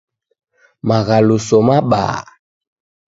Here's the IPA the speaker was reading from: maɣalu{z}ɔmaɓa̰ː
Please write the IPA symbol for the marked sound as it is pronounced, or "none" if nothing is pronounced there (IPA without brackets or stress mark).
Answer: s